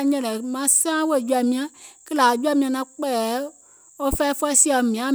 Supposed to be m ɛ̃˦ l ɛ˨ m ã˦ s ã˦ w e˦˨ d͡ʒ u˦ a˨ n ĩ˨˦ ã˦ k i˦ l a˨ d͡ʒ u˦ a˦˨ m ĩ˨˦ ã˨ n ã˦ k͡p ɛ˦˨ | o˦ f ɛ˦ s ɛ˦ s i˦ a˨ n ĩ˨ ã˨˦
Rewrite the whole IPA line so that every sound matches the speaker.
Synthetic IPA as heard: ɲ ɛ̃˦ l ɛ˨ m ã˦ s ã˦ w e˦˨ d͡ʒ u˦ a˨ m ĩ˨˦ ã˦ k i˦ l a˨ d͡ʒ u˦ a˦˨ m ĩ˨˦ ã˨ n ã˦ k͡p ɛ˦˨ | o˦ f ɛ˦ f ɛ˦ s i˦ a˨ m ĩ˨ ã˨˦

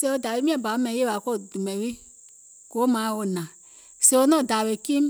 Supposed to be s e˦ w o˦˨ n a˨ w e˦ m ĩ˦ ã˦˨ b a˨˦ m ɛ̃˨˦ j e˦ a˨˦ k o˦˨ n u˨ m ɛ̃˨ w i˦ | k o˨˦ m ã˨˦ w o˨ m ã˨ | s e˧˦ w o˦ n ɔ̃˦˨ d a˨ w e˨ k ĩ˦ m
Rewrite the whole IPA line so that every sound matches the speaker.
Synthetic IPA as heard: s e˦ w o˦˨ d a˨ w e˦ m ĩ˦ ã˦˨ b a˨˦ m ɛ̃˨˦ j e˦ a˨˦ k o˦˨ d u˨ m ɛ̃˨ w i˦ | k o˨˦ m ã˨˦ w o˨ n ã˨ | s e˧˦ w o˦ n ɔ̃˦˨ d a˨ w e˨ k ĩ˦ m

